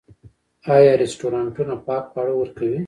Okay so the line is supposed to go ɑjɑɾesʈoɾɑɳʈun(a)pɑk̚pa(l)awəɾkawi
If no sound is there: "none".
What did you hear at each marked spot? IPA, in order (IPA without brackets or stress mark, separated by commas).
a, ɽ